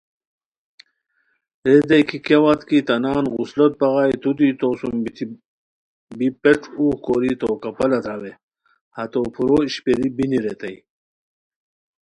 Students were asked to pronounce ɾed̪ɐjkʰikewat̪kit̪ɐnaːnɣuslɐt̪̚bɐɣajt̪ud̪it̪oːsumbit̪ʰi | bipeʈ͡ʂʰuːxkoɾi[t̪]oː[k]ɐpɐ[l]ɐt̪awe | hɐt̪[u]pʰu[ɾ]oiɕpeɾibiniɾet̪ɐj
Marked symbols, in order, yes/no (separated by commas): yes, yes, yes, no, yes